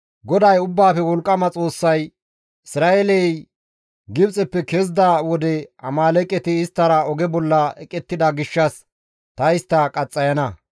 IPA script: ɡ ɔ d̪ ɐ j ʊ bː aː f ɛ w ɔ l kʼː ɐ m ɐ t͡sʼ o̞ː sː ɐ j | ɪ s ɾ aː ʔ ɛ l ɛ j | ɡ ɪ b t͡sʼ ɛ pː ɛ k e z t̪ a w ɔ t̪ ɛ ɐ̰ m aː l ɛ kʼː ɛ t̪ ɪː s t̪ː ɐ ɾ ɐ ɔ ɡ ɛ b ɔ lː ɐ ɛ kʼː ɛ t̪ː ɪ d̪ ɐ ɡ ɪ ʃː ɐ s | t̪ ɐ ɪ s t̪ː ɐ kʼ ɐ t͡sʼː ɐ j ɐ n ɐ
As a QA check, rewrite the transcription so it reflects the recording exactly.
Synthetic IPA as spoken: ɡ ɔ d̪ ɐ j ʊ bː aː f ɛ w ɔ l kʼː ɐ m ɐ t͡sʼ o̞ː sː ɐ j | ɪ s ɾ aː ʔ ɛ l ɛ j | ɡ ɪ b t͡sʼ ɛ pː ɛ k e z d̪ a w ɔ d̪ ɛ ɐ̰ m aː l ɛ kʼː ɛ t̪ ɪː s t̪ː ɐ ɾ ɐ ɔ ɡ ɛ b ɔ lː ɐ ɛ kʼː ɛ t̪ː ɪ d̪ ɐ ɡ ɪ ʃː ɐ s | t̪ ɐ ɪ s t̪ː ɐ kʼ ɐ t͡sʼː ɐ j ɐ n ɐ

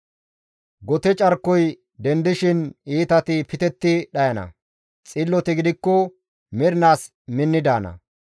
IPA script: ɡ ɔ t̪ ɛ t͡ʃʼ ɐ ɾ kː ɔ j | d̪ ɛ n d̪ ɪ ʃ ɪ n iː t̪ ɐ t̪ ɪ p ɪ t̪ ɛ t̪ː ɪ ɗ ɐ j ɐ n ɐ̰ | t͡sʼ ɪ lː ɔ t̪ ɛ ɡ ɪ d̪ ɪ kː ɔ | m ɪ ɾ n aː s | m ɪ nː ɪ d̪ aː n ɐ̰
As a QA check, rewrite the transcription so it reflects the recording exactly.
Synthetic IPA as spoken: ɡ ɔ t̪ ɛ t͡ʃʼ ɐ ɾ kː ɔ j | d̪ ɛ n d̪ ɪ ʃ ɪ n iː t̪ ɐ t̪ ɪ p ɪ t̪ ɛ t̪ː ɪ ɗ ɐ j ɐ n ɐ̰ | t͡sʼ ɪ lː ɔ t̪ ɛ ɡ ɪ d̪ ɪ kː ɔ | m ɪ ɾ n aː s | m ɪ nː ɪ d̪ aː n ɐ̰

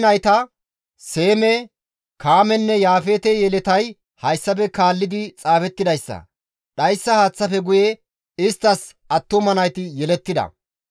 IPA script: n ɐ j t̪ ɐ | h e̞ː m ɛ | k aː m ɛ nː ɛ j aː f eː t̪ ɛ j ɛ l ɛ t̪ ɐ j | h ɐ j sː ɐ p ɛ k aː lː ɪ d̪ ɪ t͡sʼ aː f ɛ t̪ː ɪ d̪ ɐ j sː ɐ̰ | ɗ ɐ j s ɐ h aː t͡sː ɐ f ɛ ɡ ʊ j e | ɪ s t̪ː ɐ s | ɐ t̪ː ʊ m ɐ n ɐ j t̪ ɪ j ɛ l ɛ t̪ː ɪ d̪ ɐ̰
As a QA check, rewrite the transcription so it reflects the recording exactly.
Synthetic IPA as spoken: n ɐ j t̪ ɐ | s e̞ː m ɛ | k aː m ɛ nː ɛ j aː f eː t̪ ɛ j ɛ l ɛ t̪ ɐ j | h ɐ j sː ɐ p ɛ k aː lː ɪ d̪ ɪ t͡sʼ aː f ɛ t̪ː ɪ d̪ ɐ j sː ɐ̰ | ɗ ɐ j sː ɐ h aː t͡sː ɐ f ɛ ɡ ʊ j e | ɪ s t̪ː ɐ s | ɐ t̪ː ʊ m ɐ n ɐ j t̪ ɪ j ɛ l ɛ t̪ː ɪ d̪ ɐ̰

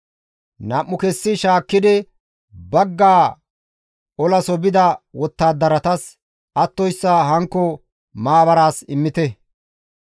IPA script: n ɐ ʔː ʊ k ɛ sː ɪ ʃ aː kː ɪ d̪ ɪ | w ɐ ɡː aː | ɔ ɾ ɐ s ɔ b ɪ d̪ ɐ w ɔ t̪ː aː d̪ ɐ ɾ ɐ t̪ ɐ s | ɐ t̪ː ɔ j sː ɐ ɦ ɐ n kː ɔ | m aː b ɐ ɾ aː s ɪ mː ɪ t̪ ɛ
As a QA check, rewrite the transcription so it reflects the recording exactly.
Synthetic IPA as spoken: n ɐ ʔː ʊ k ɛ sː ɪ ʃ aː kː ɪ d̪ ɪ | b ɐ ɡː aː | ɔ l ɐ s ɔ b ɪ d̪ ɐ w ɔ t̪ː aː d̪ ɐ ɾ ɐ t̪ ɐ s | ɐ t̪ː ɔ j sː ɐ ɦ ɐ ŋ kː ɔ | m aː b ɐ ɾ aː s ɪ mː ɪ t̪ ɛ

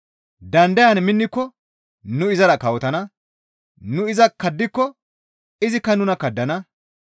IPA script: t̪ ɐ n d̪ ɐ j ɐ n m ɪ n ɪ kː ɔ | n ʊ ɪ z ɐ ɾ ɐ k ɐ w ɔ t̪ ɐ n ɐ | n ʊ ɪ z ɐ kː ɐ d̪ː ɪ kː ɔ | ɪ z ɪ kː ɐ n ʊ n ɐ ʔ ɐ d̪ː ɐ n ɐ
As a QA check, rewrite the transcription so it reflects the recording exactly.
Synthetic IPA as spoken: d̪ ɐ n d̪ ɐ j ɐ n m ɪ nː ɪ kː ɔ | n ʊ ɪ z ɐ ɾ ɐ k ɐ w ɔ t̪ ɐ n ɐ | n ʊ ɪ z ɐ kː ɐ d̪ː ɪ kː ɔ | ɪ z ɪ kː ɐ n ʊ n ɐ k ɐ d̪ː ɐ n ɐ

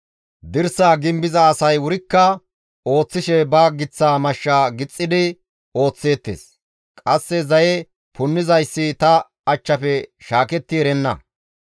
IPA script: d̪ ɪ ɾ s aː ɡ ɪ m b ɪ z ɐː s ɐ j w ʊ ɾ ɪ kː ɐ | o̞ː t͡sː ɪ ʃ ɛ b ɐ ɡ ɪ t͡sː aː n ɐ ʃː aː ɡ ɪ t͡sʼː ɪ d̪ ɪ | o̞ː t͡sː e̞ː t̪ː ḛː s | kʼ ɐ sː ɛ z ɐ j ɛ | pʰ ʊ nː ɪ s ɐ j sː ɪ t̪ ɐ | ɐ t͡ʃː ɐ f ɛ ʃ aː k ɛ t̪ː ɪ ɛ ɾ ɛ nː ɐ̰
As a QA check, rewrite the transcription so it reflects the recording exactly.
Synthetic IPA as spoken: d̪ ɪ ɾ s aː ɡ ɪ m b ɪ z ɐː s ɐ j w ʊ ɾ ɪ kː ɐ | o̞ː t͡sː ɪ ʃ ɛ b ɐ ɡ ɪ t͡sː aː m ɐ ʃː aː ɡ ɪ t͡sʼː ɪ d̪ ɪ | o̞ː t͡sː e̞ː t̪ː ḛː s | kʼ ɐ sː ɛ z ɐ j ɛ | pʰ ʊ nː ɪ z ɐ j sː ɪ t̪ ɐ | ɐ t͡ʃː ɐ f ɛ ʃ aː k ɛ t̪ː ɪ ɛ ɾ ɛ nː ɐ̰

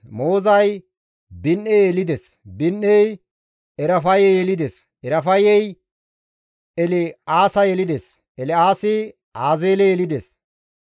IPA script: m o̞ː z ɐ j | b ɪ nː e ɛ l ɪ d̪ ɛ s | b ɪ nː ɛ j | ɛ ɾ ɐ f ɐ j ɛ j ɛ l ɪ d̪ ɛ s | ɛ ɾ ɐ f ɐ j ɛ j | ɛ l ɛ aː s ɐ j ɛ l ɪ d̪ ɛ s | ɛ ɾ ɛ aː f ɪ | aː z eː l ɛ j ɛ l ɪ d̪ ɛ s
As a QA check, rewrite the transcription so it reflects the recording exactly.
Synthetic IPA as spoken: m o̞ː z ɐ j | b ɪ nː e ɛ l ɪ d̪ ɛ s | b ɪ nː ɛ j | ɛ ɾ ɐ f ɐ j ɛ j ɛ l ɪ d̪ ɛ s | ɛ ɾ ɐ f ɐ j ɛ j | ɛ l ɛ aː s ɐ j ɛ l ɪ d̪ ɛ s | ɛ l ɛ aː s ɪ | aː z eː l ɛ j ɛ l ɪ d̪ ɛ s

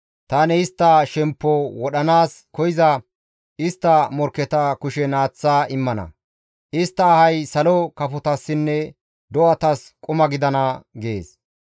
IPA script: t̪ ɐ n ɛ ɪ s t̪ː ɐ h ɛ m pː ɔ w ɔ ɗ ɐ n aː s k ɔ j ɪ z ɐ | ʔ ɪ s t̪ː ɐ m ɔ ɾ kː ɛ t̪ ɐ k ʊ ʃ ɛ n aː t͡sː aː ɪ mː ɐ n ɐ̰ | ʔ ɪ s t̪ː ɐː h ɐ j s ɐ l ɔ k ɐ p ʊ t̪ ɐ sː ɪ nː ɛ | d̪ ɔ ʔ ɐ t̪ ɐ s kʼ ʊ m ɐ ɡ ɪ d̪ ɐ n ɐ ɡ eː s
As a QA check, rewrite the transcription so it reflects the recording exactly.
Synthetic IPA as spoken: t̪ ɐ n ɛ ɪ s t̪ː ɐ ʃ ɛ m pː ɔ w ɔ ɗ ɐ n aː s k ɔ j ɪ z ɐ | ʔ ɪ s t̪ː ɐ m ɔ ɾ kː ɛ t̪ ɐ k ʊ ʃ ɛ n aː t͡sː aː ɪ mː ɐ n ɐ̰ | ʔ ɪ s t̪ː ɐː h ɐ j s ɐ l ɔ k ɐ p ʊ t̪ ɐ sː ɪ nː ɛ | d̪ ɔ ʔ ɐ t̪ ɐ s kʼ ʊ m ɐ ɡ ɪ d̪ ɐ n ɐ ɡ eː s

